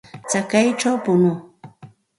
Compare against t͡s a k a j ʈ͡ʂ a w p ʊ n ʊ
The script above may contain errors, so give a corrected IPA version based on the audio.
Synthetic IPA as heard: t͡s a k a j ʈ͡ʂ a w p ʊ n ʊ